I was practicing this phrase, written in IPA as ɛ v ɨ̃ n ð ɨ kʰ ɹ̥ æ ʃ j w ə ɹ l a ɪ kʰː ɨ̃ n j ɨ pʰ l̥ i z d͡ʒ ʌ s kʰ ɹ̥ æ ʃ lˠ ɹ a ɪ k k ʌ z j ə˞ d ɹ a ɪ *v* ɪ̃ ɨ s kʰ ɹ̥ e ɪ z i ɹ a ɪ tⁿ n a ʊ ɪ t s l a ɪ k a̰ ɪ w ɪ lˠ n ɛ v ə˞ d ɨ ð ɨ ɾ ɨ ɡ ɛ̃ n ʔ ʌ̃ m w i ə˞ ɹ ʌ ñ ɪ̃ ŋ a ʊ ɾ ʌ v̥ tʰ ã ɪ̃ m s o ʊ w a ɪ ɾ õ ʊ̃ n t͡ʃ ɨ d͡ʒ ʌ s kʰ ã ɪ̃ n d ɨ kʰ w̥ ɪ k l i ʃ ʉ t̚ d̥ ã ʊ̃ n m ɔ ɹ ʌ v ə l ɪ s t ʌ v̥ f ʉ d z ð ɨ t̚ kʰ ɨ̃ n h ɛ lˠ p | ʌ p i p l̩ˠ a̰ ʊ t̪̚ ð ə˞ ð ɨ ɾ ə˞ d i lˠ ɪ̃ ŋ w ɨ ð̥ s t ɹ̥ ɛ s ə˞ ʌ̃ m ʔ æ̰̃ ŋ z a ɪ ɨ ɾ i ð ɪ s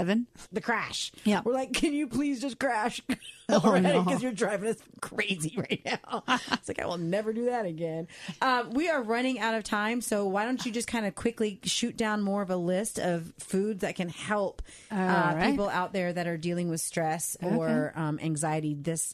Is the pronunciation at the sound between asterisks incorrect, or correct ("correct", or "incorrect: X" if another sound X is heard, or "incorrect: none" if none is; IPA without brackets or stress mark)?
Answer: correct